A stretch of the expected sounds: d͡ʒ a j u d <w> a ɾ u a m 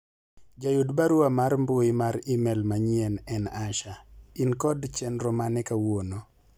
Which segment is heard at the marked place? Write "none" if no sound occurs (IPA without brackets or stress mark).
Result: b